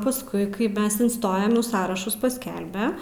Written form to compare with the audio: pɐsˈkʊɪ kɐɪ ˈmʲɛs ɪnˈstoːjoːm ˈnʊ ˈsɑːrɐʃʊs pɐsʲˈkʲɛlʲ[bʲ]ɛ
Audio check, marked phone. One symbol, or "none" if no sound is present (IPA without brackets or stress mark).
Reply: bʲ